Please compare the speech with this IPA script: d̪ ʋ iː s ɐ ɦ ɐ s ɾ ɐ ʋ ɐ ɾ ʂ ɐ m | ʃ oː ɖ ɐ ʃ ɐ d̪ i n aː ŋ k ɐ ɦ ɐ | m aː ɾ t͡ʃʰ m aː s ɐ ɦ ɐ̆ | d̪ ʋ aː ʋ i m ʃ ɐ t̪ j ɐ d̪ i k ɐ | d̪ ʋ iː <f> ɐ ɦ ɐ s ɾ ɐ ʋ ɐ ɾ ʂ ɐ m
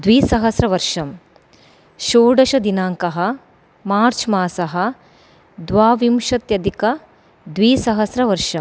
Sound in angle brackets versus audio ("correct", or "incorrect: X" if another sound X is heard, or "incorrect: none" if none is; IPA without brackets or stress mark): incorrect: s